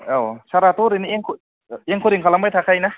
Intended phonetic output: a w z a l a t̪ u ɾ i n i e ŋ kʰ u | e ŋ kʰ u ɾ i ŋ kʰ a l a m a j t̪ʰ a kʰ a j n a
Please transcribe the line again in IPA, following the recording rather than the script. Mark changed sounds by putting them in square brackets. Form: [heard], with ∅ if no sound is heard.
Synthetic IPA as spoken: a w [s] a [ɾ] a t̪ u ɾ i n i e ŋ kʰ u | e ŋ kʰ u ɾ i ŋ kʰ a l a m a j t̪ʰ a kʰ a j n a